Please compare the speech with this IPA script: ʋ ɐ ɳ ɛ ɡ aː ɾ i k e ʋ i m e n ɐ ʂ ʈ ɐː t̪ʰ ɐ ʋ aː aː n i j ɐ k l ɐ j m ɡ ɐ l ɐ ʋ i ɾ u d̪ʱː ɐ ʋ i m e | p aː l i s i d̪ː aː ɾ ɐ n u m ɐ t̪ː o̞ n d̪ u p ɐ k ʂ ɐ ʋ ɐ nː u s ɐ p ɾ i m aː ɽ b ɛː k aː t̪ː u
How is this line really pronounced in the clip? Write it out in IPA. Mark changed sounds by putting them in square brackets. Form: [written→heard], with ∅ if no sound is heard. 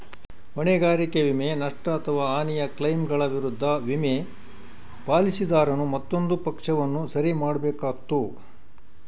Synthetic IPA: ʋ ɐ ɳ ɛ ɡ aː ɾ i k e ʋ i m e n ɐ ʂ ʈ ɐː t̪ʰ ɐ ʋ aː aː n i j ɐ k l ɐ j m ɡ ɐ [l→ɭ] ɐ ʋ i ɾ u d̪ʱː ɐ ʋ i m e | p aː l i s i [d̪ː→d̪] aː ɾ ɐ n u m ɐ t̪ː o̞ n d̪ u p ɐ k ʂ ɐ ʋ ɐ nː u s ɐ [p→∅] ɾ i m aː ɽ b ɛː k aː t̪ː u